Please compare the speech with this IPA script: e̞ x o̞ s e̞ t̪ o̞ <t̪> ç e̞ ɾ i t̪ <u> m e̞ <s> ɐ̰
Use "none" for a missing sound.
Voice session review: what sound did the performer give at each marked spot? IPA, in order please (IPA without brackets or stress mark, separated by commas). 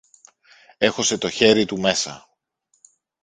none, u, s